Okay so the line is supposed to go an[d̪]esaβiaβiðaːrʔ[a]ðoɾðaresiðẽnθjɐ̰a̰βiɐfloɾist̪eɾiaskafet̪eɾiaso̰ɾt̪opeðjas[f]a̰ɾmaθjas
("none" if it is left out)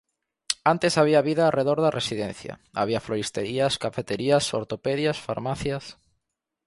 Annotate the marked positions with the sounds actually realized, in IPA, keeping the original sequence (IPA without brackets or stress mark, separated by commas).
t̪, e, f